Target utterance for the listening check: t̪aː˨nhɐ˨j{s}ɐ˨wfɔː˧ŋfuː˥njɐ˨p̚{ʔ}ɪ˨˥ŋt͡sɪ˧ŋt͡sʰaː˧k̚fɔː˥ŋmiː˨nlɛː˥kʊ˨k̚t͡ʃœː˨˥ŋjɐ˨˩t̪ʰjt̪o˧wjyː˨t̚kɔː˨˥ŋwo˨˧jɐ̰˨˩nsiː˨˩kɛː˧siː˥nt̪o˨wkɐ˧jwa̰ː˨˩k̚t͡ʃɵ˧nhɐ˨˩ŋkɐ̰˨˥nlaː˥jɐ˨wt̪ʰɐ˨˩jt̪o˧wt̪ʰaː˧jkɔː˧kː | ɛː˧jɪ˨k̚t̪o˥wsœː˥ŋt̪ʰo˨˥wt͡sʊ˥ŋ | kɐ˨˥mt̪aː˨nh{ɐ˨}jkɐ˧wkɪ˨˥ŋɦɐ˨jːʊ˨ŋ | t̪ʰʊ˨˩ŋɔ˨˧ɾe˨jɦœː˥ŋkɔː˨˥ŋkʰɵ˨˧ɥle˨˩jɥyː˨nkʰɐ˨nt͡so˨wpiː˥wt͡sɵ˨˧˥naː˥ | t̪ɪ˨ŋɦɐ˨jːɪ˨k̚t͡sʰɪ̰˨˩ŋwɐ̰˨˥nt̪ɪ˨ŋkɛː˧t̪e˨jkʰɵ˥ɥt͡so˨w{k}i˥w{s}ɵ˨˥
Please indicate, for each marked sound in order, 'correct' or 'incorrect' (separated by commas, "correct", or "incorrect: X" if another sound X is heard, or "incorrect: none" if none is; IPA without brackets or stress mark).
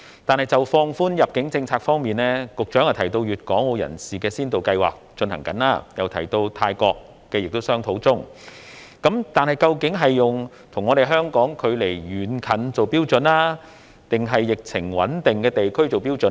incorrect: t͡s, incorrect: k, correct, incorrect: p, incorrect: t͡s